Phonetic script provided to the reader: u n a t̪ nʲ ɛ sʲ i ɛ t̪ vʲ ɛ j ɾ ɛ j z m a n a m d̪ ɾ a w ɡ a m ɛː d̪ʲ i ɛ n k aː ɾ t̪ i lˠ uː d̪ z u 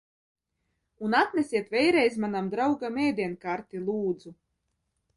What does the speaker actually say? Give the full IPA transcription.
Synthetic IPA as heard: u n a t̪ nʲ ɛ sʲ i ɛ t̪ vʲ ɛ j ɾ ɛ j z m a n a m d̪ ɾ a w ɡ a m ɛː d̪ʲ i ɛ n k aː ɾ t̪ i lˠ uː d̪ z u